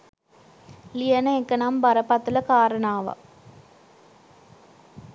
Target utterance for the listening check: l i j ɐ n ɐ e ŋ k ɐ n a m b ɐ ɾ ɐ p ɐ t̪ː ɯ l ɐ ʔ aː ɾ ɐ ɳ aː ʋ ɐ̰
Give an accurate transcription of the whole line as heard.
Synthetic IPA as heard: l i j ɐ n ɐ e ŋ k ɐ n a m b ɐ ɾ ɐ p ɐ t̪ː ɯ l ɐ k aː ɾ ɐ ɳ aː ʋ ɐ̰